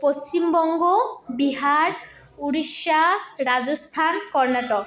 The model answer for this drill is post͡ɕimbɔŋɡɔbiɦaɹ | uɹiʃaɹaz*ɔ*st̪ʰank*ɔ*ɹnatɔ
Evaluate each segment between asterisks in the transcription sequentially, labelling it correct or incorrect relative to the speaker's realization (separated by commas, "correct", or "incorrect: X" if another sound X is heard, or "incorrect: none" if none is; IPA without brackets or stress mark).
correct, correct